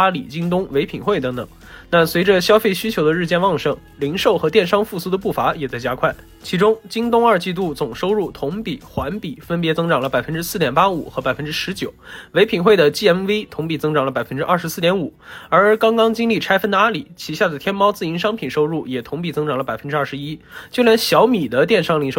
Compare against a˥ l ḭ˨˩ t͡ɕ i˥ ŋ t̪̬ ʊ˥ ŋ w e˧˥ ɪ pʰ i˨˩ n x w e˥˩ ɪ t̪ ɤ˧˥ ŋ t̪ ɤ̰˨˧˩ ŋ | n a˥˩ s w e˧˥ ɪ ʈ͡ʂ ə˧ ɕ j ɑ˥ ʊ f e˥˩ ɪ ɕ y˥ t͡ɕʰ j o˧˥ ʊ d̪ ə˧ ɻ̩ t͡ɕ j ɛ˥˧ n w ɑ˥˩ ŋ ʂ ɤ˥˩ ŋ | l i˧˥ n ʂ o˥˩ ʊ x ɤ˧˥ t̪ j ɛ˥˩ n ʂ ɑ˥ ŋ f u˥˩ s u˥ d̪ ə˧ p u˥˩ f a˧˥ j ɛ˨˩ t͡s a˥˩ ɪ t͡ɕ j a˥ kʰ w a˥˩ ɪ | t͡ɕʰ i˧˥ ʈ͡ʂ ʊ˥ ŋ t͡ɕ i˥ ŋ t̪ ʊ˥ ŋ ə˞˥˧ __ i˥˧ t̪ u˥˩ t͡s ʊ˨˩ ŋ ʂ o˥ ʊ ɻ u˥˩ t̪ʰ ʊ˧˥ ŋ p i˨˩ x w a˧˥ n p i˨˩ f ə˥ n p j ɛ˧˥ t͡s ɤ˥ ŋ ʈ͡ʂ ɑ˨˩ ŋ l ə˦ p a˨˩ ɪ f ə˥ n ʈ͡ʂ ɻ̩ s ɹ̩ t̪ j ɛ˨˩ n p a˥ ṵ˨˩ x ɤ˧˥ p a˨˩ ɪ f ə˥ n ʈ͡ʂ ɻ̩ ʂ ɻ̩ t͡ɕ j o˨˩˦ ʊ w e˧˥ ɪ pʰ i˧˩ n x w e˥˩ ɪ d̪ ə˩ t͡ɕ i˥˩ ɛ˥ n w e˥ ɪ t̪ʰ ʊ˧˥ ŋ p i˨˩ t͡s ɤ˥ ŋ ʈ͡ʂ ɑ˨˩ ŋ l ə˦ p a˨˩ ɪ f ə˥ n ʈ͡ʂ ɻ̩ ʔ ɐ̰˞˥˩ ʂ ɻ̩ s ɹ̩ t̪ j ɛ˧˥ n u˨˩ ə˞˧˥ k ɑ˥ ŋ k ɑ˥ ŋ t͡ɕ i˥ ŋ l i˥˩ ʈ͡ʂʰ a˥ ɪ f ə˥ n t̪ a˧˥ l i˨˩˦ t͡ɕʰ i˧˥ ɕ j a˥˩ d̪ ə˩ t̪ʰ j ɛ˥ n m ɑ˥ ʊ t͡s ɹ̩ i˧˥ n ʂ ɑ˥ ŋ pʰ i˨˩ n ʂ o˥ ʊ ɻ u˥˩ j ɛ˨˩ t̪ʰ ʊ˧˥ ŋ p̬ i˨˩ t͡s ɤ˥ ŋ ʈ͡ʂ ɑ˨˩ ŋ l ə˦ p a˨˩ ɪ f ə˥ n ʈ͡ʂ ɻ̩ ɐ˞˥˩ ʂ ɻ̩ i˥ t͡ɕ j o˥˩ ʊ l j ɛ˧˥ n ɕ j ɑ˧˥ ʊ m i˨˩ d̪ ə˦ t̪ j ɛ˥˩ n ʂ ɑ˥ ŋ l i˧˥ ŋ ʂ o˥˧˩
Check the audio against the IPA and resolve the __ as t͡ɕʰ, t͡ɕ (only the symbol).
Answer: t͡ɕ